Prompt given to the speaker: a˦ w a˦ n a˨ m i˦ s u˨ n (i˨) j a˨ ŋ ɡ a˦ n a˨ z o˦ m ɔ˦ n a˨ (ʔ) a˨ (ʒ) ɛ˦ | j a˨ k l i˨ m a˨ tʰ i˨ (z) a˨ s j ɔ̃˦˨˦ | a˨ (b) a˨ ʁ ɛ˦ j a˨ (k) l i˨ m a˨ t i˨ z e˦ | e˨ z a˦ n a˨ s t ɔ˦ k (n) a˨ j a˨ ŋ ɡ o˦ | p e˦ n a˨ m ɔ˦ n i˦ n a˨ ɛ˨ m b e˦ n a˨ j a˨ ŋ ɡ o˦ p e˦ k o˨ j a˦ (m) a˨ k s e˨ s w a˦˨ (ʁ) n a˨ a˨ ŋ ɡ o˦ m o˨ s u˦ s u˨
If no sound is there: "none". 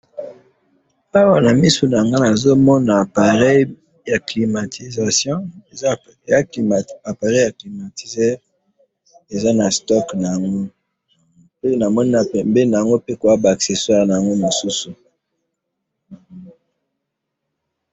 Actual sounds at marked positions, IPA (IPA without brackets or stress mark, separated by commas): a˨, p, ʁ, z, p, k, n, b, ʁ